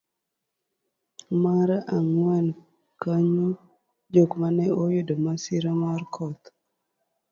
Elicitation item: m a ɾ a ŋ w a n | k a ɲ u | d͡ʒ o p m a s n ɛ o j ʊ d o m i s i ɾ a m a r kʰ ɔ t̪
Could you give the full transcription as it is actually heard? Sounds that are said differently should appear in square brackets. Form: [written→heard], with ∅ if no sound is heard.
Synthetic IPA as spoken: m a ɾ a ŋ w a n | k a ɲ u | d͡ʒ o [p→k] m a [s→∅] n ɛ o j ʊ d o m [i→a] s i ɾ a m a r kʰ ɔ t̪